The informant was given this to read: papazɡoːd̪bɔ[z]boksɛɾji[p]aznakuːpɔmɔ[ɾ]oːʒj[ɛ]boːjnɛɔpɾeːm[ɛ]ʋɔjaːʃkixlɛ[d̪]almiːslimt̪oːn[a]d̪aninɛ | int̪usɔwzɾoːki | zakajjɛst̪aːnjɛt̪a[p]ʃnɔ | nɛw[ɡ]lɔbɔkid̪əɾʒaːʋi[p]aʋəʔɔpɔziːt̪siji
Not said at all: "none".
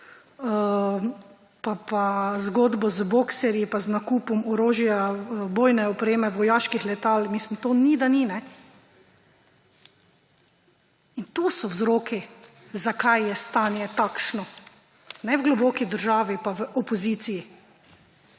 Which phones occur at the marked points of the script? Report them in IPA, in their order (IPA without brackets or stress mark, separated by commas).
z, p, ɾ, a, ɛ, t̪, i, k, ɡ, p